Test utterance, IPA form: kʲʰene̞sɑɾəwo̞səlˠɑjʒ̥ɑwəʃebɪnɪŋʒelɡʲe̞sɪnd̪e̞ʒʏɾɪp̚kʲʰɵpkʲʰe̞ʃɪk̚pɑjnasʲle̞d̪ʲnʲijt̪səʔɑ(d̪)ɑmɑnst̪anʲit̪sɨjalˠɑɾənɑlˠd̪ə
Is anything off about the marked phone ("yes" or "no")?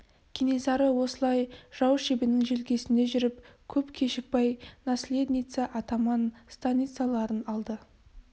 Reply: yes